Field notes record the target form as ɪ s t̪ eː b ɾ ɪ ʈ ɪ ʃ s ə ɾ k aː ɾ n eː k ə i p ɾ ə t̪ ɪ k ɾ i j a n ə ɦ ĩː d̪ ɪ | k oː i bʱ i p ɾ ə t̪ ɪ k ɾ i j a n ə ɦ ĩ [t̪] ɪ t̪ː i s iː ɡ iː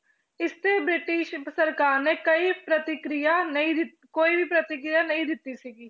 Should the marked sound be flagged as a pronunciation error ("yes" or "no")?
yes